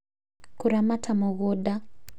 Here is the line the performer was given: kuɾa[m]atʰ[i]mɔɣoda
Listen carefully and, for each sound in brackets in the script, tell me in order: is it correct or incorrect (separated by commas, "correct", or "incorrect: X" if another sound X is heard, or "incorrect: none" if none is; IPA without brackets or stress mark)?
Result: correct, incorrect: a